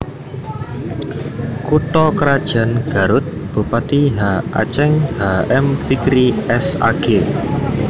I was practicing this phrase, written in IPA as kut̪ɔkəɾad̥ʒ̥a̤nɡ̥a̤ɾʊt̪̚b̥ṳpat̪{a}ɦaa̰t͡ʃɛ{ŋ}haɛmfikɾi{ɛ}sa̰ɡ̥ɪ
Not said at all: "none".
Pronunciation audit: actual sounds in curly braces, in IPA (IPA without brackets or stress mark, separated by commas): i, ŋ, ɛ